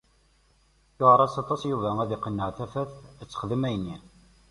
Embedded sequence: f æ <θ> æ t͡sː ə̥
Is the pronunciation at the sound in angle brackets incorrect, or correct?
correct